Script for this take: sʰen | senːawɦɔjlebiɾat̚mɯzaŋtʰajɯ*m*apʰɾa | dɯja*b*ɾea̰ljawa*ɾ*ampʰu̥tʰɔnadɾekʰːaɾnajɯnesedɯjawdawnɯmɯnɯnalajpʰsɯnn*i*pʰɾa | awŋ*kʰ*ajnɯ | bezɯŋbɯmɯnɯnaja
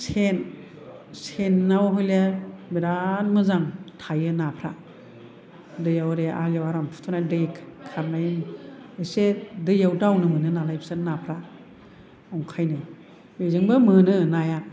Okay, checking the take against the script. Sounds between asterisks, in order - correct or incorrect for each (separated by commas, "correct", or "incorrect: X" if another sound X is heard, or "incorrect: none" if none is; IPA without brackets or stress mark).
incorrect: n, incorrect: w, correct, incorrect: a, correct